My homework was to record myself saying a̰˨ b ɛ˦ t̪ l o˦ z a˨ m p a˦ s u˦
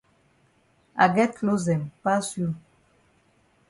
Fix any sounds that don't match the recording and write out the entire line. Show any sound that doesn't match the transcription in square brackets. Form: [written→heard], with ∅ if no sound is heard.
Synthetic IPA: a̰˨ [b→ɡ] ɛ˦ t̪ l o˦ z [a˨→ɛ˨] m p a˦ s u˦